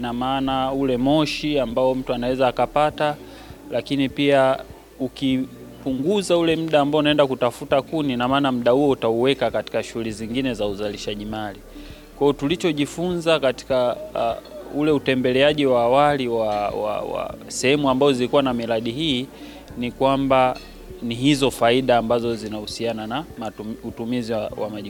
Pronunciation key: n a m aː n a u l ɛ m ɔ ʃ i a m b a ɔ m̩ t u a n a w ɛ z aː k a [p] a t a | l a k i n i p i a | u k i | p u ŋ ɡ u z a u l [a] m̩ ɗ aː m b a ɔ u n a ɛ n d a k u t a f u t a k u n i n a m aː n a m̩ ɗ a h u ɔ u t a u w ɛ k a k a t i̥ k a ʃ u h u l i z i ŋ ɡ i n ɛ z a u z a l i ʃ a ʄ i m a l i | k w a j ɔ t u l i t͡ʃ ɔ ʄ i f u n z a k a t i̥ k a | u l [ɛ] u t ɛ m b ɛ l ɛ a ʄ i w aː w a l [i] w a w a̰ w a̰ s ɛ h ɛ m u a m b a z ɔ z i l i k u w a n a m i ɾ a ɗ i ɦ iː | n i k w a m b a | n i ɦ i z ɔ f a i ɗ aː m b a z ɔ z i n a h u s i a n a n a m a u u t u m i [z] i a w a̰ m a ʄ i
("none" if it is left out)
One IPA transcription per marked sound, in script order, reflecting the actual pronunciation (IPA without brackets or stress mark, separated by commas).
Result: p, ɛ, ɛ, i, z